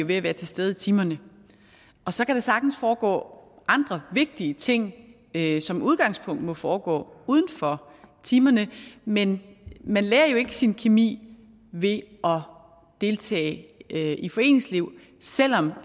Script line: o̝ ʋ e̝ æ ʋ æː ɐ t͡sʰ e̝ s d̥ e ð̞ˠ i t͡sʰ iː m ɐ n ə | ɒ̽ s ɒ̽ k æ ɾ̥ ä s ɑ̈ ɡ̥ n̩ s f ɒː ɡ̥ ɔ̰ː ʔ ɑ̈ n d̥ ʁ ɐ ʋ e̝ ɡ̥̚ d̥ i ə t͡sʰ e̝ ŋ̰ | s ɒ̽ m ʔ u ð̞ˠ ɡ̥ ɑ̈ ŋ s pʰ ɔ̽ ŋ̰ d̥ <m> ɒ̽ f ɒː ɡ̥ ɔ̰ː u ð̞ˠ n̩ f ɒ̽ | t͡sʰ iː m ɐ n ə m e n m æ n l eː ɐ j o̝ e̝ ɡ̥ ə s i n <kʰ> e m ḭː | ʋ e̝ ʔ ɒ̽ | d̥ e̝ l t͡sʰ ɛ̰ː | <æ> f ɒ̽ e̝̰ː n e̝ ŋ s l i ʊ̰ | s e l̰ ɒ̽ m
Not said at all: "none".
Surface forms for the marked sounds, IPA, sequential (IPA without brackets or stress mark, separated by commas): m, kʰ, i